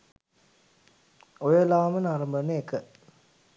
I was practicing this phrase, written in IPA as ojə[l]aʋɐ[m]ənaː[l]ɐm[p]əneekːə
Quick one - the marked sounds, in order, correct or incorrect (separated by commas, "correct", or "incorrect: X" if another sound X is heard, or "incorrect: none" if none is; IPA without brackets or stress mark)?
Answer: correct, correct, incorrect: ɾ, incorrect: b